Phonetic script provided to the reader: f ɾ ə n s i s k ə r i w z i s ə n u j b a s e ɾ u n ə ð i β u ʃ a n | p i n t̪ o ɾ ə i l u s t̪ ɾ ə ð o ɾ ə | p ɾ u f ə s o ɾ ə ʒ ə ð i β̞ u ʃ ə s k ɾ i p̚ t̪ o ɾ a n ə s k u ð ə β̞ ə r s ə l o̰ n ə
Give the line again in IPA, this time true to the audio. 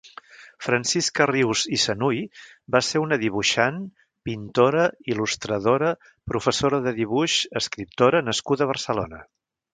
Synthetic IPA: f ɾ ə n s i s k ə r i w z i s ə n u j b a s e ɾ u n ə ð i β u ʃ a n | p i n t̪ o ɾ ə i l u s t̪ ɾ ə ð o ɾ ə | p ɾ u f ə s o ɾ ə ð ə ð i β̞ u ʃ ə s k ɾ i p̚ t̪ o ɾ ə n ə s k u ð ə β̞ ə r s ə l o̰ n ə